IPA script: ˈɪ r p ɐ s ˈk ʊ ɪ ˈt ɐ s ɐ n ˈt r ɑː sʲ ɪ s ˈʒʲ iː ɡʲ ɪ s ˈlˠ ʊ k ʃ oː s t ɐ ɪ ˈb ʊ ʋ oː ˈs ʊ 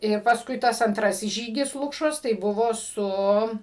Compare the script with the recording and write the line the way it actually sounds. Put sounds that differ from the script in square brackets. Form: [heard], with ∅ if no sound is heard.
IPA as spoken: ˈɪ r p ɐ s ˈk ʊ ɪ ˈt ɐ s ɐ n ˈt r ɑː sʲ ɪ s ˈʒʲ iː ɡʲ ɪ s ˈlˠ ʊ k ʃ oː s t ɐ ɪ ˈb ʊ ʋ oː ˈs ʊ